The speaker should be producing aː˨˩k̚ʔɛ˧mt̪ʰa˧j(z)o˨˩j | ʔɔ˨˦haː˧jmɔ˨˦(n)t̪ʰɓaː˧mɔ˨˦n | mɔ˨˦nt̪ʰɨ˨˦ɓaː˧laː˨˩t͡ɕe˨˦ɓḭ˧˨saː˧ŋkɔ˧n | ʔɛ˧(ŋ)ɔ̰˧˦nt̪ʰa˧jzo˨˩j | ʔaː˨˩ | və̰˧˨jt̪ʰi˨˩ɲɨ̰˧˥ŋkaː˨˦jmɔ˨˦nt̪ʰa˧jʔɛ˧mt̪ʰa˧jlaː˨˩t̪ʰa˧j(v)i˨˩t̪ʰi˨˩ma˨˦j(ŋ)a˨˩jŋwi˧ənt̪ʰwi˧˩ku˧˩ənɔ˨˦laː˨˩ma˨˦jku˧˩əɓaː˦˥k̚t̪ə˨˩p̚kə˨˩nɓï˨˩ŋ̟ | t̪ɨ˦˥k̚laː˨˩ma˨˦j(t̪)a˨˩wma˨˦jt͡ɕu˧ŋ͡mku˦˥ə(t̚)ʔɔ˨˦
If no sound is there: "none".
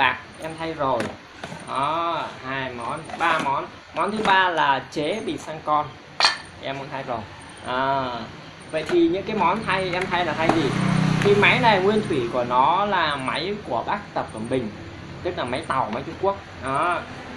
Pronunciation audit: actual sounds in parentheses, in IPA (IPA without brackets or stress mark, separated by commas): z, n, m, z, n, t̪, k̚